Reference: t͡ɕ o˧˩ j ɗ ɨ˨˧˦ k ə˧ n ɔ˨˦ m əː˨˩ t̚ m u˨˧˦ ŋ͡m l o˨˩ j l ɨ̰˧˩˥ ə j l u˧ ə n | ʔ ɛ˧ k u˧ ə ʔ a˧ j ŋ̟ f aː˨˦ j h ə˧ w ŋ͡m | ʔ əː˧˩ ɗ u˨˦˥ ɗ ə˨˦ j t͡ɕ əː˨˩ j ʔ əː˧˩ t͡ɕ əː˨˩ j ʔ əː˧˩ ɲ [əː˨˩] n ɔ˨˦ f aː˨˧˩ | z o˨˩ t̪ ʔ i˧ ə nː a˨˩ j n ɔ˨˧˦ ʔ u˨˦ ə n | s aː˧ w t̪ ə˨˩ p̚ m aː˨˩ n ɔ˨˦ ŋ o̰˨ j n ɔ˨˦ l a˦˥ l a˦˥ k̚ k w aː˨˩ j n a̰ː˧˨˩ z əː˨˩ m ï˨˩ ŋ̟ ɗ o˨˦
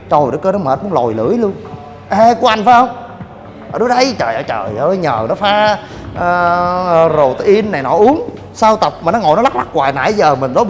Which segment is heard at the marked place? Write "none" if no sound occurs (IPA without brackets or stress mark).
əː˨˩